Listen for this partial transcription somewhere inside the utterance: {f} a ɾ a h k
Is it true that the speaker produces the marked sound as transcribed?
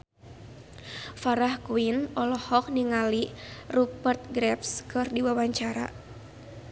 yes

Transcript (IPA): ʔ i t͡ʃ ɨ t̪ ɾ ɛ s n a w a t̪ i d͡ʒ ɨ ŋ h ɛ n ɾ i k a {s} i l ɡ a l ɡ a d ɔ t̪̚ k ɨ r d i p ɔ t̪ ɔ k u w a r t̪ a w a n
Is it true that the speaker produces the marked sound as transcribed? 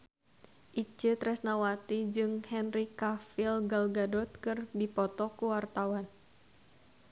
no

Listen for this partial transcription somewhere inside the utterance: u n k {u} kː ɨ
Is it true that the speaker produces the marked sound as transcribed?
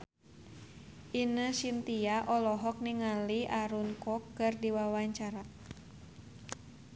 no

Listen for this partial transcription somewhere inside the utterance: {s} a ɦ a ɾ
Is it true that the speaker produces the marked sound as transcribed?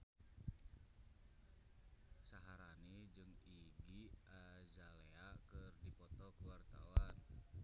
yes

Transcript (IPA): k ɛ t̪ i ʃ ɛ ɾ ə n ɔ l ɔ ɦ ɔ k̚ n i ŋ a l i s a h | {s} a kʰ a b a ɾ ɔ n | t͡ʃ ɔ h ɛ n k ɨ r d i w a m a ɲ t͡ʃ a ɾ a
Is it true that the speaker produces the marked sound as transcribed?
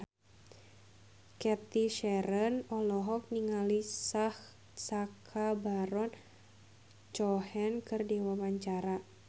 yes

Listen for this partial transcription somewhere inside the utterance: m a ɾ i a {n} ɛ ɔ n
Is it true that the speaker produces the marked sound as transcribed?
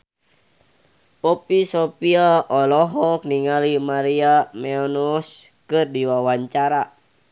no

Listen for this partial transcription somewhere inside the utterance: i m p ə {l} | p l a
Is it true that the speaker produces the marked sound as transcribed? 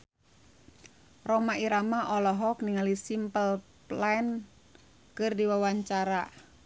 yes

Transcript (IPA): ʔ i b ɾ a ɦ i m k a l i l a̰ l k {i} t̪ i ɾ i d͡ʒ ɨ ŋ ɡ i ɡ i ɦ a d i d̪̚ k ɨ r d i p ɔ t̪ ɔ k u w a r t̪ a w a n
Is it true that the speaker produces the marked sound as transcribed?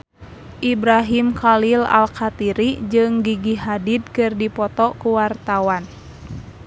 no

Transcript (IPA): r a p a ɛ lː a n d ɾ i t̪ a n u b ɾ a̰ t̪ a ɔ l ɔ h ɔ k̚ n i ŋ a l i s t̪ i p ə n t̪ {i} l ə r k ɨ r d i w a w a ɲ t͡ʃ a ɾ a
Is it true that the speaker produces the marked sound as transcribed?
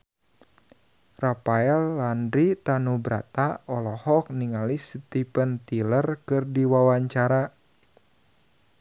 yes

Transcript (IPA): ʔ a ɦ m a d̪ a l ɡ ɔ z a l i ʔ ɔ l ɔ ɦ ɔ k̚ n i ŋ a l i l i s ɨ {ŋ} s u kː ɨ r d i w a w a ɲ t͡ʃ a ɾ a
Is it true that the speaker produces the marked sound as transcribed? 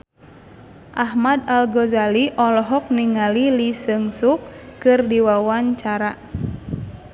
yes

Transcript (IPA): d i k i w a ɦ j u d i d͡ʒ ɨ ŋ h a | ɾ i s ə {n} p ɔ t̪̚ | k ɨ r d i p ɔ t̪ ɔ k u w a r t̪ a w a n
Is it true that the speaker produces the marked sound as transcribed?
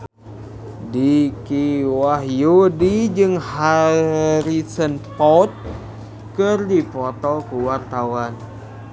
yes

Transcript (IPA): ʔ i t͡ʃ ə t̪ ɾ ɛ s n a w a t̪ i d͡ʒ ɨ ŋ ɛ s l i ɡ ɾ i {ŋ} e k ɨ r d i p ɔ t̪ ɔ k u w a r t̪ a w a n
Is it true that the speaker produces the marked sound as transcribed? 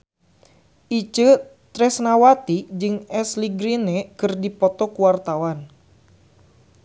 no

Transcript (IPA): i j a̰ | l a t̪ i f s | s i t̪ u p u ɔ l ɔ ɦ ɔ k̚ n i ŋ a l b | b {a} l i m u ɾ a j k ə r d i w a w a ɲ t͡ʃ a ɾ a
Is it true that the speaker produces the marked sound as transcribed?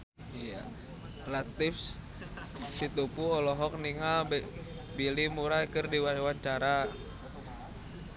no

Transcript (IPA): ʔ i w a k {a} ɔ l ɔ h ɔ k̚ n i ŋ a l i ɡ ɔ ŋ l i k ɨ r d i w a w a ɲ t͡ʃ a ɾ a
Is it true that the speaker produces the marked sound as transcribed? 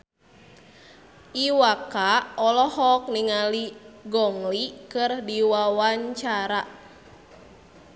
yes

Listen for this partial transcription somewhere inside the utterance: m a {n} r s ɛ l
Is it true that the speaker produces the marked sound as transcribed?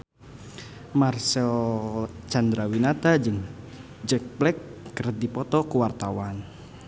no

